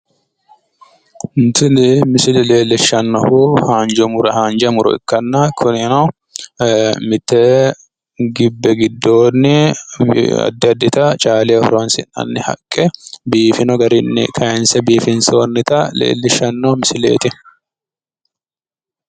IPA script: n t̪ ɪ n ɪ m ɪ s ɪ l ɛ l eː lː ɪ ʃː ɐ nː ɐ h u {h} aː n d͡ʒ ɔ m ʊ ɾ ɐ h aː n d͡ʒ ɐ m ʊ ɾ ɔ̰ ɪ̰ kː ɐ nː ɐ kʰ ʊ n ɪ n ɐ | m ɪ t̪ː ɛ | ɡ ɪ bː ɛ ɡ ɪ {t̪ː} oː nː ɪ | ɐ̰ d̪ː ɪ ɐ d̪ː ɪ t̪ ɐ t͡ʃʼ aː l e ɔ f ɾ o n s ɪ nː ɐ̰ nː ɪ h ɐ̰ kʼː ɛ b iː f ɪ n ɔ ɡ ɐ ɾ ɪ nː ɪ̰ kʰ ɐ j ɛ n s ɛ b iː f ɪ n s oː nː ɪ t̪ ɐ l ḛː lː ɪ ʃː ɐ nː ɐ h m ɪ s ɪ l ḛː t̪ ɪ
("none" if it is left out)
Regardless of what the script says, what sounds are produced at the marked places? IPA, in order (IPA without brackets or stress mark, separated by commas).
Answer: h, d̪ː